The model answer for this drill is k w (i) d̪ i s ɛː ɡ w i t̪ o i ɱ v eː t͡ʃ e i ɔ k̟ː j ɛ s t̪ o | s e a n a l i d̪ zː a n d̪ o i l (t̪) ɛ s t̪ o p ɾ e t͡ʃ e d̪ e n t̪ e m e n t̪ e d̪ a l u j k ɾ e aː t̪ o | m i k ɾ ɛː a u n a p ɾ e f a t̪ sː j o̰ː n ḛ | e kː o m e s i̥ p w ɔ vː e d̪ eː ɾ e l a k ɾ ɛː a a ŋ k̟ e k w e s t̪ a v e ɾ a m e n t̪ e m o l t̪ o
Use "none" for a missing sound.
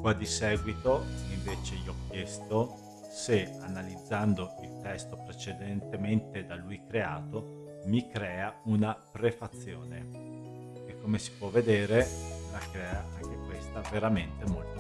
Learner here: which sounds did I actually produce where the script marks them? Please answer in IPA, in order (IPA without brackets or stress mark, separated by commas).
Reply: a, t̪